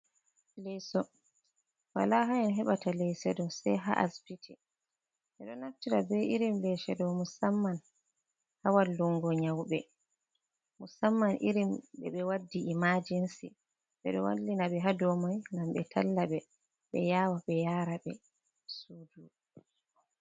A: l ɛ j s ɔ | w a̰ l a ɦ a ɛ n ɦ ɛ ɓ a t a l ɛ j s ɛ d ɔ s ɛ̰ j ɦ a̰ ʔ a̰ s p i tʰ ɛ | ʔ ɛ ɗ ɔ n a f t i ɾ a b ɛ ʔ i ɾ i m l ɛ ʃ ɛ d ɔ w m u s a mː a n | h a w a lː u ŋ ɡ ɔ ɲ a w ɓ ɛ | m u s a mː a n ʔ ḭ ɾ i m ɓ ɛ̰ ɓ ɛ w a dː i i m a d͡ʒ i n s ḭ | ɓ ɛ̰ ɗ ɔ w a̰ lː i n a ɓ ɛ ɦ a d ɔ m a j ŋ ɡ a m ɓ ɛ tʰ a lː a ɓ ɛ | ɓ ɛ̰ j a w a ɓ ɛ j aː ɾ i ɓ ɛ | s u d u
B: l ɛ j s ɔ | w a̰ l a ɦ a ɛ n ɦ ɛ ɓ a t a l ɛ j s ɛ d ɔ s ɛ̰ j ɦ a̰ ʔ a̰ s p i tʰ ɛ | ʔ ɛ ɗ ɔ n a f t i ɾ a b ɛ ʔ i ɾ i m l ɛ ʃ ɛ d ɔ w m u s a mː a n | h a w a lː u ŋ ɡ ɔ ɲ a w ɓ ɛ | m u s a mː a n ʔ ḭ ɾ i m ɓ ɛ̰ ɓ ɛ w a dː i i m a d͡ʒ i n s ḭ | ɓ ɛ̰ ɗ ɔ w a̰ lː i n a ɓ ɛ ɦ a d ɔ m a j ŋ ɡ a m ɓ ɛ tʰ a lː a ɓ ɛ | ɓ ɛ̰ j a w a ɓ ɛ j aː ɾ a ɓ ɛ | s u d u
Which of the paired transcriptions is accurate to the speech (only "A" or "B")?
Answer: B